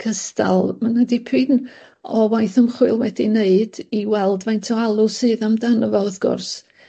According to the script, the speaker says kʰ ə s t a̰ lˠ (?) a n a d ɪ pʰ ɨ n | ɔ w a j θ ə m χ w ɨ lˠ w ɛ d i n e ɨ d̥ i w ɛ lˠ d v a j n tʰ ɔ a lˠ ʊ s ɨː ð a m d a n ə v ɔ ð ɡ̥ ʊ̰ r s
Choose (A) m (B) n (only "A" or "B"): A